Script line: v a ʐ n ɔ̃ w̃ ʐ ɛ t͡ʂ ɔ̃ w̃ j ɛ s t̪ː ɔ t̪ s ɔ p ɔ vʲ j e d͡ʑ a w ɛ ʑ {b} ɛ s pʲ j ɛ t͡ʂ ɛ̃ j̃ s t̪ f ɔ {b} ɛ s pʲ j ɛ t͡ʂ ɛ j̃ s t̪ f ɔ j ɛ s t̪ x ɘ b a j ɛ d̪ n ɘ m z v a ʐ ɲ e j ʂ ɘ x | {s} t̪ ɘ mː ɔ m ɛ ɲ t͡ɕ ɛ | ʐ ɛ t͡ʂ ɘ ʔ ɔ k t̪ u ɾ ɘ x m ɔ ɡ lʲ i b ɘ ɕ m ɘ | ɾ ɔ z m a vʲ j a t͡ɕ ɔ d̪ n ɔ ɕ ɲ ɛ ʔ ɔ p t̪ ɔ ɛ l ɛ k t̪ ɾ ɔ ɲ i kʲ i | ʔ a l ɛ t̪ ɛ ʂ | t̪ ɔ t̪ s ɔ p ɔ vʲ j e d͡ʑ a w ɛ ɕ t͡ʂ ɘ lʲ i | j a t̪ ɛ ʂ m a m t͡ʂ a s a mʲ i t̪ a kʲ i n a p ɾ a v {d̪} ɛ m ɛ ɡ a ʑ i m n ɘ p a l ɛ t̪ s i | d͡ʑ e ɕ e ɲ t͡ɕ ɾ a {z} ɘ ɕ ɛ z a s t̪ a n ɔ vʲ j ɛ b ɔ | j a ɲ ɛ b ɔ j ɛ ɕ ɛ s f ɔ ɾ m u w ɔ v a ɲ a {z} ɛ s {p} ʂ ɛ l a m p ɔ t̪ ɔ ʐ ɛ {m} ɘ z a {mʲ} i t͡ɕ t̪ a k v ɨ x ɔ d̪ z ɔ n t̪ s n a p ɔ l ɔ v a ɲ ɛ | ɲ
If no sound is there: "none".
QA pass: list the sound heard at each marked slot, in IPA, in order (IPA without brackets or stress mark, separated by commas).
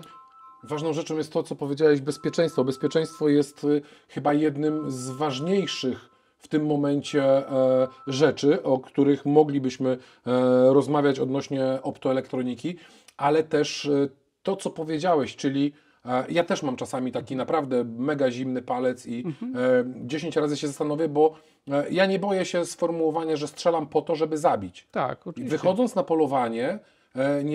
b, b, f, d̪, z, ʐ, t, b, bʲ